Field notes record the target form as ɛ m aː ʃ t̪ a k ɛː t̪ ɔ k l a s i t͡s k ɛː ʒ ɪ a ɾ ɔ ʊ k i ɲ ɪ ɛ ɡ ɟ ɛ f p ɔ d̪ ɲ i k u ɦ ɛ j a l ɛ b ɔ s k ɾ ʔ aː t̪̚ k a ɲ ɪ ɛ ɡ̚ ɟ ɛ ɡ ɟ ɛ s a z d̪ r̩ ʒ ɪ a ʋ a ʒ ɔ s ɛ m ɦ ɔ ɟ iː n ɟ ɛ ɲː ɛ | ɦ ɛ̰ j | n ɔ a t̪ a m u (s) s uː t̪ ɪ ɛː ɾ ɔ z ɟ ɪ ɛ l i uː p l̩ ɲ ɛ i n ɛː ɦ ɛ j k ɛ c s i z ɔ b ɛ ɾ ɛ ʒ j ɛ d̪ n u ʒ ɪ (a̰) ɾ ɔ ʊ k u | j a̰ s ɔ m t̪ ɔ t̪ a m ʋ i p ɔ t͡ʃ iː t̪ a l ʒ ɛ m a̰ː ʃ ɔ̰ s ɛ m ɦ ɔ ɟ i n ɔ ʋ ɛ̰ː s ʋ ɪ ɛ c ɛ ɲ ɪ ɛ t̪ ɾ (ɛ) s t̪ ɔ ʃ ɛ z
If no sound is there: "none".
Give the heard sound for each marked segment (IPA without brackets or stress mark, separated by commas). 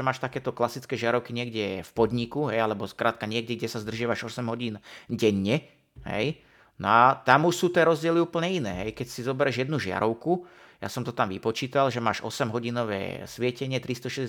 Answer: ʃ, a̰, i